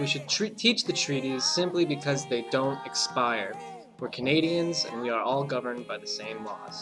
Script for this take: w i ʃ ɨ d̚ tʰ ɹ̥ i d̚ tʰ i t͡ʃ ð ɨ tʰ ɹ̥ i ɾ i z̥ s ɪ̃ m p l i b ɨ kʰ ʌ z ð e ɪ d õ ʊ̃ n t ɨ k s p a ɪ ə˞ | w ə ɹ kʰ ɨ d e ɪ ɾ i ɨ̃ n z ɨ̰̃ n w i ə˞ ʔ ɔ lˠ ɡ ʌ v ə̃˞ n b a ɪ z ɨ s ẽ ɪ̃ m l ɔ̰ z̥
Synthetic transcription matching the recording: w i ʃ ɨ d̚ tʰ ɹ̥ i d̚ tʰ i t͡ʃ ð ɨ tʰ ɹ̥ i ɾ i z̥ s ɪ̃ m p l i b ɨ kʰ ʌ z ð e ɪ d õ ʊ̃ n t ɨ k s p a ɪ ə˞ | w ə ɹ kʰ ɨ n e ɪ ɾ i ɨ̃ n z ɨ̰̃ n w i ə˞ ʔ ɔ lˠ ɡ ʌ v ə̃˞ n b a ɪ ð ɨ s ẽ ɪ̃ m l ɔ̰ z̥